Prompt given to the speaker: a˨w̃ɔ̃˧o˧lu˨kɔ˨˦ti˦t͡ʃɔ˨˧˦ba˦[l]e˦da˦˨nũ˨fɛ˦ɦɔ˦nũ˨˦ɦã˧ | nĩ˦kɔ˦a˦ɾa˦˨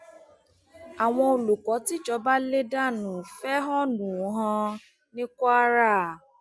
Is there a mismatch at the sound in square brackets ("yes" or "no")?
no